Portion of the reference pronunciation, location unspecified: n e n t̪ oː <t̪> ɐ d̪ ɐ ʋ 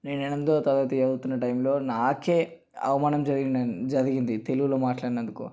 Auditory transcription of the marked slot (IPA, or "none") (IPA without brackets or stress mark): t̪